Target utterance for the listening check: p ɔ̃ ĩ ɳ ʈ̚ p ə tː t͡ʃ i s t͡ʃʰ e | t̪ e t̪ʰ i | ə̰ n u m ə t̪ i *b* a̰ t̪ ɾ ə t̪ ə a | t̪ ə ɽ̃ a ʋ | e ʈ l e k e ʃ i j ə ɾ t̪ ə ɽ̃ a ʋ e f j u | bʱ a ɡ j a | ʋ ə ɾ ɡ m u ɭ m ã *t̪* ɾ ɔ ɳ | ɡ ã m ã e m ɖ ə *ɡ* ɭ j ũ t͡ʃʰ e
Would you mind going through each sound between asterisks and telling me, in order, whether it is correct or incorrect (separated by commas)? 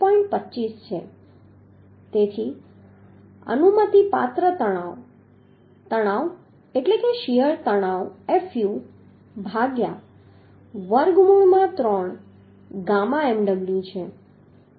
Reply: incorrect, correct, correct